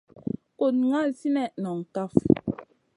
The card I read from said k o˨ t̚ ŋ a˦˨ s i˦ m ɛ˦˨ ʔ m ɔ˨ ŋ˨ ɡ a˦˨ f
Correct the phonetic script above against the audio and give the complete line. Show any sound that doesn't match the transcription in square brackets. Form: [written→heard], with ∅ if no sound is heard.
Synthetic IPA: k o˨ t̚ ŋ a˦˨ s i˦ [m→n] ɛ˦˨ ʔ [m→n] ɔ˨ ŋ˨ [ɡ→k] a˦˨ f